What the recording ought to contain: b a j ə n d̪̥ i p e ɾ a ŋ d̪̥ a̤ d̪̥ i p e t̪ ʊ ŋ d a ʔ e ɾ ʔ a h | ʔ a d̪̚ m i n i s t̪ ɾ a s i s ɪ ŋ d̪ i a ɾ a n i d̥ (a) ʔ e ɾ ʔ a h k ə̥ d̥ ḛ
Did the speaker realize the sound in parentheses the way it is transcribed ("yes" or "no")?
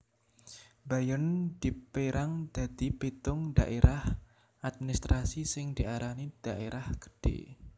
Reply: yes